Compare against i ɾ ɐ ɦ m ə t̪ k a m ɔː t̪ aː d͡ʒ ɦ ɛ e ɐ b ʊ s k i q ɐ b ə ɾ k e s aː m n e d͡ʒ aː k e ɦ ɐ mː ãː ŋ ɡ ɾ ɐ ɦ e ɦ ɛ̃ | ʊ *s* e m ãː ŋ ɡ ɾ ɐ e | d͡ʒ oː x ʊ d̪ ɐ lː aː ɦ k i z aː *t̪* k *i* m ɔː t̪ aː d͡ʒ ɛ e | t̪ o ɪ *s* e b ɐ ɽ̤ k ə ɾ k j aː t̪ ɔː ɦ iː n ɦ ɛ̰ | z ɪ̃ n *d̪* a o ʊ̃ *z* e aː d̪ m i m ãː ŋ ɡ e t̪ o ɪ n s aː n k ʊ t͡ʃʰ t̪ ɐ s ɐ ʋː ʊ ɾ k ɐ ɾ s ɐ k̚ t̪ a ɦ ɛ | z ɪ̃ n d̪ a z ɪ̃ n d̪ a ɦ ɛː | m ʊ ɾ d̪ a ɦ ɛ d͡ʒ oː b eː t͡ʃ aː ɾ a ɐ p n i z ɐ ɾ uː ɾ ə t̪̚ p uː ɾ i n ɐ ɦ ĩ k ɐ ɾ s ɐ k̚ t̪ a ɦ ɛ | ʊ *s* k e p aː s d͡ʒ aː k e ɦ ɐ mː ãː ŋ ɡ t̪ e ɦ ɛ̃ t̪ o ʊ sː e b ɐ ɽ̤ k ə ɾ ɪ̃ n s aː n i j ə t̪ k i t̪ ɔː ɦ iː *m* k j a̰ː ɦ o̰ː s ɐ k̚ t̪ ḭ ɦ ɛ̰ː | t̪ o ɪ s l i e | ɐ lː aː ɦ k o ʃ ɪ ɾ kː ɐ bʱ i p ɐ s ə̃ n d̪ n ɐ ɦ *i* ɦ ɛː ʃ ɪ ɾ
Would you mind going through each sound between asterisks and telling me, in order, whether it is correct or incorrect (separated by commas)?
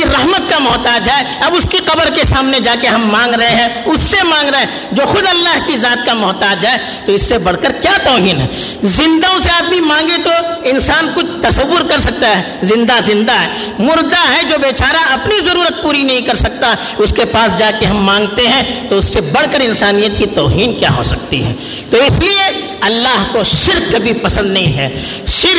incorrect, correct, incorrect, incorrect, correct, incorrect, correct, incorrect, incorrect